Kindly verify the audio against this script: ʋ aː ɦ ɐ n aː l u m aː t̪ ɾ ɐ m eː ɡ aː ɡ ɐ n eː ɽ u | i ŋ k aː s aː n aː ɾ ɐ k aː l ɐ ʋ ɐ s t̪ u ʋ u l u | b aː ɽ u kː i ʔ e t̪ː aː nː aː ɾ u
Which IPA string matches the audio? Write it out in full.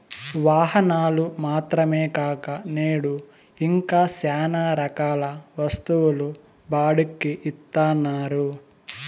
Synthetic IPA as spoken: ʋ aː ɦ ɐ n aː l u m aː t̪ ɾ ɐ m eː k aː k ɐ n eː ɽ u | i ŋ k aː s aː n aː ɾ ɐ k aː l ɐ ʋ ɐ s t̪ u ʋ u l u | b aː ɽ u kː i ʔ i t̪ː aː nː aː ɾ u